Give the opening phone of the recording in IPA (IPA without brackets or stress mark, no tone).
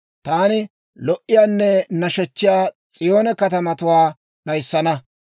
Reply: t̪